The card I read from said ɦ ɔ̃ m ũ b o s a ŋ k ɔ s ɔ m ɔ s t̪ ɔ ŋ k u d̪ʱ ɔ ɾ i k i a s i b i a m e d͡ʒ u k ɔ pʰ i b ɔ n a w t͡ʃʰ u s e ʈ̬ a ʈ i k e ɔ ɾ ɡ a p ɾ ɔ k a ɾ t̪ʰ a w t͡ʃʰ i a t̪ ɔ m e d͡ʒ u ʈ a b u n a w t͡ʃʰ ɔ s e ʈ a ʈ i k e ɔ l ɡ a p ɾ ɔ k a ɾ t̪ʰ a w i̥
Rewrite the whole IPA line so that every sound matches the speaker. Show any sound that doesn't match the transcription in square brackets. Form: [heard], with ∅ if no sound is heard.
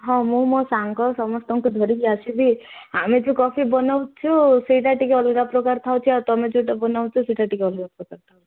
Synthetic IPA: ɦ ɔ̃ m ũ [m] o s a ŋ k ɔ s ɔ m ɔ s t̪ ɔ ŋ k u d̪ʱ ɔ ɾ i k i a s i b i a m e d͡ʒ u k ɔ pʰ i b ɔ n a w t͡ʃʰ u s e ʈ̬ a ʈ i k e ɔ [l] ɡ a p ɾ ɔ k a ɾ t̪ʰ a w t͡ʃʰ i a t̪ ɔ m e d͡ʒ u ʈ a b [ɔ] n a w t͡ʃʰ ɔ s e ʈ a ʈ i k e ɔ l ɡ a p ɾ ɔ k a ɾ t̪ʰ a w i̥